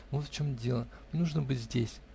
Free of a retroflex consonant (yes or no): no